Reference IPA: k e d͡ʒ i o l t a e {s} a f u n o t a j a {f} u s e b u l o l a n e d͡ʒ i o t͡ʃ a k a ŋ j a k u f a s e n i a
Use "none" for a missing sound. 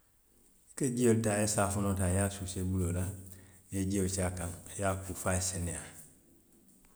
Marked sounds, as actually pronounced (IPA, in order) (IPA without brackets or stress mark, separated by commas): s, s